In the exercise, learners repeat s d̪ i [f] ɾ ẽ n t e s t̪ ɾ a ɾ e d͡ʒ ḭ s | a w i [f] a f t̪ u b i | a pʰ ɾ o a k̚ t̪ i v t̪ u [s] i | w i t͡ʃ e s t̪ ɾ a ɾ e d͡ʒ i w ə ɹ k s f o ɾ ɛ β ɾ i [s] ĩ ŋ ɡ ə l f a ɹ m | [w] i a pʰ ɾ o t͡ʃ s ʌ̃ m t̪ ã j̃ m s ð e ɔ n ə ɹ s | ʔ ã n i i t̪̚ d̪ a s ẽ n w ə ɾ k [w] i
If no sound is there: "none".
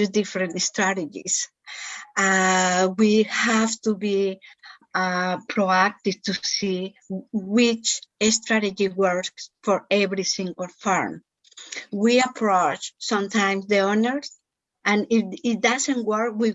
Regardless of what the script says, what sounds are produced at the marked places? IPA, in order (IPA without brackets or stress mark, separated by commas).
f, h, s, s, w, w